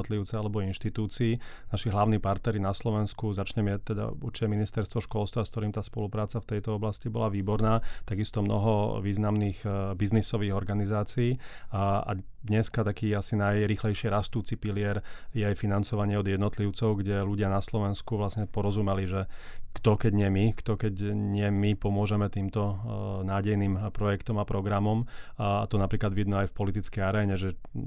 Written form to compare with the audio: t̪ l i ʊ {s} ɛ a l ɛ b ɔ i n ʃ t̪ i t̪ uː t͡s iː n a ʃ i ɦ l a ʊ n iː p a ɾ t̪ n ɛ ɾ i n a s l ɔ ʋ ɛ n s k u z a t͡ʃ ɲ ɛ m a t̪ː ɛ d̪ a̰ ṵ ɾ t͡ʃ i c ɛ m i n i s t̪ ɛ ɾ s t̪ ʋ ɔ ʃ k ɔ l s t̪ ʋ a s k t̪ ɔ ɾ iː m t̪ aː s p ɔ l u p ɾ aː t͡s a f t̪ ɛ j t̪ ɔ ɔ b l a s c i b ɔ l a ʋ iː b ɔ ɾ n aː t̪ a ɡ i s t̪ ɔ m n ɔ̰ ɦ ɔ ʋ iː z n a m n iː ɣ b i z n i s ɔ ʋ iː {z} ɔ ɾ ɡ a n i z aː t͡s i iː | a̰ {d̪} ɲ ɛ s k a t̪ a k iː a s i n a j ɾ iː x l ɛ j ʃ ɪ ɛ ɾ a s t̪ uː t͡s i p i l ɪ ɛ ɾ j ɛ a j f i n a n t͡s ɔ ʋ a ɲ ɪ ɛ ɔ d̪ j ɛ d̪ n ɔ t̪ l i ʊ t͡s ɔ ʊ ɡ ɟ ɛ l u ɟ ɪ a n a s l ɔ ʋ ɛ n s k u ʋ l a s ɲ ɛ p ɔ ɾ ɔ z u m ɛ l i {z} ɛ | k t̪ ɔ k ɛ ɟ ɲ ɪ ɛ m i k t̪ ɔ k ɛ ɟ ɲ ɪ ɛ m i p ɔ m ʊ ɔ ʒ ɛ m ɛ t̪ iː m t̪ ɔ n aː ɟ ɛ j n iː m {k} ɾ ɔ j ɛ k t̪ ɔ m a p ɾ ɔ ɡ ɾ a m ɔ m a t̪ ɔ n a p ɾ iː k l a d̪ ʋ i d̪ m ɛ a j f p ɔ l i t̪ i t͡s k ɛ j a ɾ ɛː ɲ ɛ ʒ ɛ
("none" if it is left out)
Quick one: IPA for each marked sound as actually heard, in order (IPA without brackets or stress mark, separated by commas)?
t͡s, ɣ, d̪, ʒ, p